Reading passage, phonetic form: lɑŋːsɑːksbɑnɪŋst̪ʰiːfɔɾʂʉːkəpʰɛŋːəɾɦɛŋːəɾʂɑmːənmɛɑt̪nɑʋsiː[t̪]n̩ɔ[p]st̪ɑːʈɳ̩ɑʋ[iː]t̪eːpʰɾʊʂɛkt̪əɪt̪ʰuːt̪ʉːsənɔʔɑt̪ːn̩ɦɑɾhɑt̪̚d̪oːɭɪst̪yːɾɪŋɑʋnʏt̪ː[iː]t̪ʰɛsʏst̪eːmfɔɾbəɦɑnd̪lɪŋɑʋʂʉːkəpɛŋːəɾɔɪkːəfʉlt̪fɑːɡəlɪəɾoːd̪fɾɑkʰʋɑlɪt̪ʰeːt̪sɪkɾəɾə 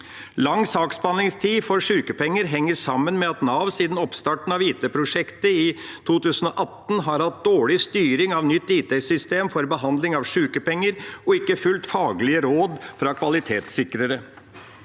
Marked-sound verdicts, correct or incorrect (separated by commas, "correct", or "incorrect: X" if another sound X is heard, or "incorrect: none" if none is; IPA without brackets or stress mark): incorrect: d̪, correct, correct, correct